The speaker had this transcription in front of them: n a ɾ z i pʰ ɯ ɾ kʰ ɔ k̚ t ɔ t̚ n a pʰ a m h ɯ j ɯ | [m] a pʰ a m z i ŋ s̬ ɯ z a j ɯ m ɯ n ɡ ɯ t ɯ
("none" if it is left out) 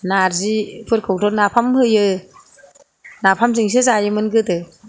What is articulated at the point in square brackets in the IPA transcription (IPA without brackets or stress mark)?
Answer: n